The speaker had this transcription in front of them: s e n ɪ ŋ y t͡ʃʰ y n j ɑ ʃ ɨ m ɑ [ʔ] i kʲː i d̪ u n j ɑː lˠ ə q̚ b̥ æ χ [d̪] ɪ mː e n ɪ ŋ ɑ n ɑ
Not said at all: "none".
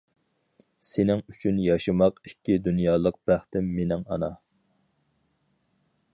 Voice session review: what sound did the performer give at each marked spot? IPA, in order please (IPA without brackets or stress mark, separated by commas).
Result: q, t̪